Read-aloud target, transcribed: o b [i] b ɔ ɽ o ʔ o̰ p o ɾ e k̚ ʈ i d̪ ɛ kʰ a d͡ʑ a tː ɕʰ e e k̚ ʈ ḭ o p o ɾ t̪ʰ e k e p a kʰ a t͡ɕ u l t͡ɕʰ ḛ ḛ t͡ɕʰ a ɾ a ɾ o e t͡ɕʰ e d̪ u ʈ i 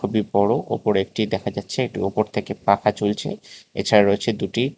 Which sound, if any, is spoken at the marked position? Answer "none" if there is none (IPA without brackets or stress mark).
i